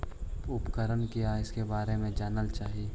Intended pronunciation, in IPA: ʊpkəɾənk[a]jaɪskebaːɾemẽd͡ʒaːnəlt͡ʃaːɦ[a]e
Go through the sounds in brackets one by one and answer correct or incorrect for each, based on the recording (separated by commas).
incorrect, incorrect